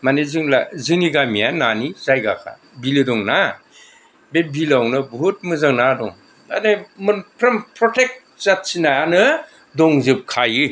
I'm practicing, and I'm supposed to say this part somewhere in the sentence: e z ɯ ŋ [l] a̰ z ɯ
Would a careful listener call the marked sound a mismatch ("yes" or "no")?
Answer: no